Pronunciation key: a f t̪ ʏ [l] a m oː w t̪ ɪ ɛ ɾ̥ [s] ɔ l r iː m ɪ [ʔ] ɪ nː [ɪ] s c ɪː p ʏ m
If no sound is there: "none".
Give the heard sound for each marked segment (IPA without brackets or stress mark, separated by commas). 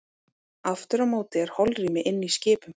ɾ, h, ʔ, i